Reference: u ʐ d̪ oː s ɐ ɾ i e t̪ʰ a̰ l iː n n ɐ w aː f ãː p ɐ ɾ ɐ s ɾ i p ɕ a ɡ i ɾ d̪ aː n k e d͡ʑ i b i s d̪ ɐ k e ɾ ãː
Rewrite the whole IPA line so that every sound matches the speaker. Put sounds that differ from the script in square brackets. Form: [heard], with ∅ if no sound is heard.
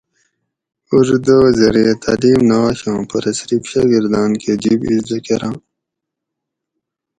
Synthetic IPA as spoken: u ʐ d̪ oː [z] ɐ ɾ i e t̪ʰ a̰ l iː [m] n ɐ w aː [ɕ] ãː p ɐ ɾ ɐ s ɾ i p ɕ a ɡ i ɾ d̪ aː n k e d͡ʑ i b i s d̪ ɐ k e ɾ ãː